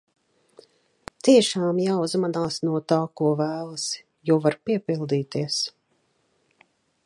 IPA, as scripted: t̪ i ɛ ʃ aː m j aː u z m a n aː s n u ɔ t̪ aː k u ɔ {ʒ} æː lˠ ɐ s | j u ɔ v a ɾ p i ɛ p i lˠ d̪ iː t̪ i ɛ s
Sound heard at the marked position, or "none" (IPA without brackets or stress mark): v